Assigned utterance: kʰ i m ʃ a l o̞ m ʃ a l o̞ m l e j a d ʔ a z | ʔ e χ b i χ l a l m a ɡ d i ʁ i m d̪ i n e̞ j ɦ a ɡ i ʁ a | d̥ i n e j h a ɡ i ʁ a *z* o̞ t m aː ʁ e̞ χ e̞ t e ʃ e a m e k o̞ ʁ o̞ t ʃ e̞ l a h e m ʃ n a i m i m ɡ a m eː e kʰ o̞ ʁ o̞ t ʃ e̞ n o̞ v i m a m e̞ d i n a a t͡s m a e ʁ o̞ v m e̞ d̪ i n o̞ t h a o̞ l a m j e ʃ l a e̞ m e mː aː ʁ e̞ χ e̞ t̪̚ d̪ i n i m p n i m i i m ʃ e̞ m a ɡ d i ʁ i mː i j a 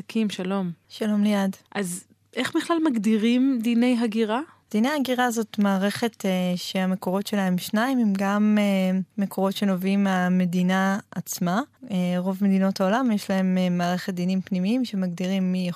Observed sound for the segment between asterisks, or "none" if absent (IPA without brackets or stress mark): z